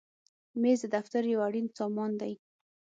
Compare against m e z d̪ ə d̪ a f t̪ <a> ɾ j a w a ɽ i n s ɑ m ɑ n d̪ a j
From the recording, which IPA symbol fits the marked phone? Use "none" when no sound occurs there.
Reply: a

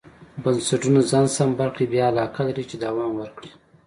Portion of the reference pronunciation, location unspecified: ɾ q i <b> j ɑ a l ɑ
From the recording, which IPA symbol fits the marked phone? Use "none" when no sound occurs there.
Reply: b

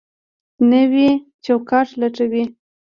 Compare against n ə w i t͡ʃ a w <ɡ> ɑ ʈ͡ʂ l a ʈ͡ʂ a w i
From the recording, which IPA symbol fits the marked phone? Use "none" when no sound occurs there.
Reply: k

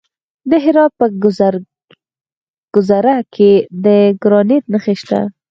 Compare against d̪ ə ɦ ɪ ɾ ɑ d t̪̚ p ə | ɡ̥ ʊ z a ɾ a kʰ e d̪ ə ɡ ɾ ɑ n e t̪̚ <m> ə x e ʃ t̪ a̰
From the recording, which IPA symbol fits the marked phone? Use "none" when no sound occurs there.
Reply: n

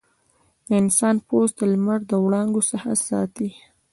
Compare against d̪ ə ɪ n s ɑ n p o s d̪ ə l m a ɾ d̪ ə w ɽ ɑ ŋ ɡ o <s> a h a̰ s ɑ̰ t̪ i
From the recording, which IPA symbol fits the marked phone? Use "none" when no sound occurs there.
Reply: s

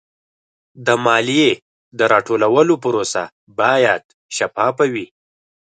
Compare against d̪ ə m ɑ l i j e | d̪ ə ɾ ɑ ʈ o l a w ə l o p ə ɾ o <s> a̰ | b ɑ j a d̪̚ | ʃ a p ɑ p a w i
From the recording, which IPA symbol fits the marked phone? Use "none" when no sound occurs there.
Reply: s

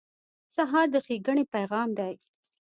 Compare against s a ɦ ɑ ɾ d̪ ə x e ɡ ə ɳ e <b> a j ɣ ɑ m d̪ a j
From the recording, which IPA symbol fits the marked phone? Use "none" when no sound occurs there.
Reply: p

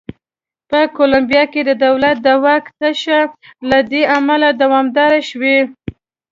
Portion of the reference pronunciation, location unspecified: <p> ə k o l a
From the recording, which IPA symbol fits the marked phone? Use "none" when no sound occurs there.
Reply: p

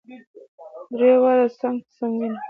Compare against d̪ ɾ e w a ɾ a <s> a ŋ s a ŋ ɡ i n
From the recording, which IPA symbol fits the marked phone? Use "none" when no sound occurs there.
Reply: s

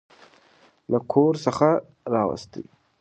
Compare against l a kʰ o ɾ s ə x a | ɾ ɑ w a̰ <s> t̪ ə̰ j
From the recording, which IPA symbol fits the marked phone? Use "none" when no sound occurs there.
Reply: s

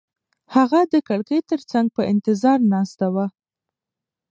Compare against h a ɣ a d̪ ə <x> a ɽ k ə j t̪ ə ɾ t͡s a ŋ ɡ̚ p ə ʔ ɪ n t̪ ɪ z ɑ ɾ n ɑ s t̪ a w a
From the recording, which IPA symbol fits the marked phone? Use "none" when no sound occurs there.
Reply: k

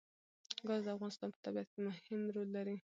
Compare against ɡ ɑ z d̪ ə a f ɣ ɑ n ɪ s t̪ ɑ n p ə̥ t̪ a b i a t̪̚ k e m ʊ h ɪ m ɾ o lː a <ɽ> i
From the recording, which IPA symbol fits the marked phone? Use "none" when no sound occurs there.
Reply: ɾ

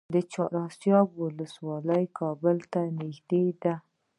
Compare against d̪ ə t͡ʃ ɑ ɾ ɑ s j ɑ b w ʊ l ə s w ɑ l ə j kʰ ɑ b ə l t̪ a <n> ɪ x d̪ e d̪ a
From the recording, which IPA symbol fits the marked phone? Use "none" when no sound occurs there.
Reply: n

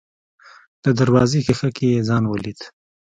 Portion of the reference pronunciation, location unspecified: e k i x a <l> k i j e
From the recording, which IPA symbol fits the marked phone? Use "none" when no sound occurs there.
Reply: none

